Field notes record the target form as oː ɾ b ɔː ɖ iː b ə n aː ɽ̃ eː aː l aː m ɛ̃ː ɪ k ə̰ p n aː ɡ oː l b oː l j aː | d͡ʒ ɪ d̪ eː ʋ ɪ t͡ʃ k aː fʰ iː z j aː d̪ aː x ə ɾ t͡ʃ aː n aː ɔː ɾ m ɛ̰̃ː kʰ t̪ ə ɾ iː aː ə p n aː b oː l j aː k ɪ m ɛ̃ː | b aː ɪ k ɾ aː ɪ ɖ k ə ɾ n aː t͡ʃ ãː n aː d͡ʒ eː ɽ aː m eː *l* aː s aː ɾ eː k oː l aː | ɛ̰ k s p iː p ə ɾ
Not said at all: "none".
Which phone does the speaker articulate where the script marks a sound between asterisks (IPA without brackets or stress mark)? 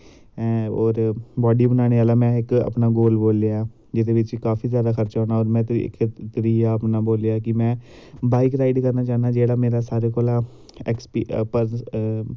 ɾ